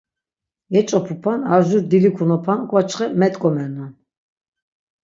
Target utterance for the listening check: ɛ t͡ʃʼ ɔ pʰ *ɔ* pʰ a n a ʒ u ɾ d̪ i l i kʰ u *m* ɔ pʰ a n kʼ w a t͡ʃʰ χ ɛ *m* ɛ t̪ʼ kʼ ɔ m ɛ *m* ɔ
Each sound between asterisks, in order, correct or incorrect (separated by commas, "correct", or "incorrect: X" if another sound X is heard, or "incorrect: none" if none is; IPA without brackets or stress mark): incorrect: u, incorrect: n, correct, incorrect: n